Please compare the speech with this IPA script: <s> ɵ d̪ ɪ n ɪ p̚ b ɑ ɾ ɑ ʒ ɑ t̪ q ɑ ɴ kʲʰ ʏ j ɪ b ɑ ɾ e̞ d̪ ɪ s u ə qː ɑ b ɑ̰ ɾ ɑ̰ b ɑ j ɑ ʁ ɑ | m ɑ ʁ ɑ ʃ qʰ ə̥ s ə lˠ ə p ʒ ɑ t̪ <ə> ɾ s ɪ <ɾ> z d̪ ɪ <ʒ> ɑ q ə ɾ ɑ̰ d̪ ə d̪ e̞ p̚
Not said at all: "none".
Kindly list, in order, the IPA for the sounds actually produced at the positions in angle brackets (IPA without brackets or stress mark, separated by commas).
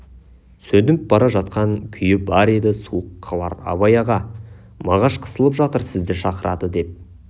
s, ə, none, ʃ